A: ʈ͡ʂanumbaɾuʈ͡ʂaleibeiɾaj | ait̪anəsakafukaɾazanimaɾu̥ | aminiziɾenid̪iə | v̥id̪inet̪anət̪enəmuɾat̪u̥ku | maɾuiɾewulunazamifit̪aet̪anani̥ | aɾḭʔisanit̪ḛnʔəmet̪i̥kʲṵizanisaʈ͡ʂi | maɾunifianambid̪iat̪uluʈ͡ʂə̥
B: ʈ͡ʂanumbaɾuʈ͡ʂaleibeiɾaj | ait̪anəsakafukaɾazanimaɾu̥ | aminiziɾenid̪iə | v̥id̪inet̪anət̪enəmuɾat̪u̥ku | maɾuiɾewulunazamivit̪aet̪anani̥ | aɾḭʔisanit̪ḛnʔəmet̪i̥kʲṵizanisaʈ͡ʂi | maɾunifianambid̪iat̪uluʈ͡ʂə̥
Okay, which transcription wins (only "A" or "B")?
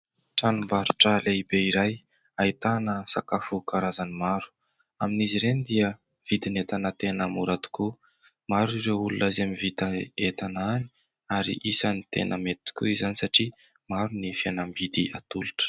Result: B